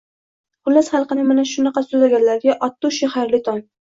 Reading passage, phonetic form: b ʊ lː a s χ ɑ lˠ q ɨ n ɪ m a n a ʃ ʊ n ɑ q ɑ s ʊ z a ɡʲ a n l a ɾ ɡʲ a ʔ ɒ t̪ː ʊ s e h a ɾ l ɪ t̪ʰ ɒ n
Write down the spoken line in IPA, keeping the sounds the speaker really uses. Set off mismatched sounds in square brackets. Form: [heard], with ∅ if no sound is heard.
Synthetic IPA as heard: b ʊ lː a s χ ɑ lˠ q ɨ n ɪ m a n a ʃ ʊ n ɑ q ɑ s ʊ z a ɡʲ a n l a ɾ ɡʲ a ʔ ɒ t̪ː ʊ [ʃ] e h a ɾ l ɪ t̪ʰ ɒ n